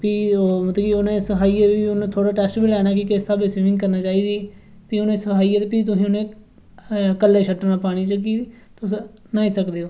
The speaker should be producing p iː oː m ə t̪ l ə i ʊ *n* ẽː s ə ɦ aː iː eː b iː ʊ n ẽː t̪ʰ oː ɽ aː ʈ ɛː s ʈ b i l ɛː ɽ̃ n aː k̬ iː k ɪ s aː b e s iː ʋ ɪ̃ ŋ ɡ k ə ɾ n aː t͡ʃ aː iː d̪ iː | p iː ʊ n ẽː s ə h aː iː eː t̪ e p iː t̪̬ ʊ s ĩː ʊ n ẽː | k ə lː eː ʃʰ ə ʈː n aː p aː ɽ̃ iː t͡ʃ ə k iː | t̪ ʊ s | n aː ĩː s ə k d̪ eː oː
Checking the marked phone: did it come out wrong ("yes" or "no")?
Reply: no